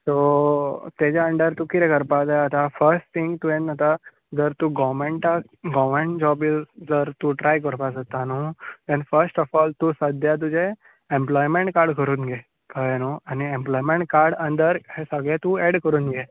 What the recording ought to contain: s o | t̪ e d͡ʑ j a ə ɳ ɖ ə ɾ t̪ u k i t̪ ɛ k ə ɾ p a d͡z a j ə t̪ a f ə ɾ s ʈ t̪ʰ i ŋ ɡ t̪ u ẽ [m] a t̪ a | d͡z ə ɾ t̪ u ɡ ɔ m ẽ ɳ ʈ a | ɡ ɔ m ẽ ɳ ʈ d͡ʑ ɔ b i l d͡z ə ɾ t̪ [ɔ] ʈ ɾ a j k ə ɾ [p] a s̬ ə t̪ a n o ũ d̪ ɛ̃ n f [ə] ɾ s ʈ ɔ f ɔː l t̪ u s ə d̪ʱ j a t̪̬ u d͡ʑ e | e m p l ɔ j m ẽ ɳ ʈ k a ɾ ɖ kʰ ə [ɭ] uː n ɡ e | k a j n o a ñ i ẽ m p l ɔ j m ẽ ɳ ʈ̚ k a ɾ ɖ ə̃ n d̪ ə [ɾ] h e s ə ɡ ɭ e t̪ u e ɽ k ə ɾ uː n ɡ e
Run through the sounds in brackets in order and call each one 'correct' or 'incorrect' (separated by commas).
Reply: incorrect, incorrect, correct, correct, incorrect, correct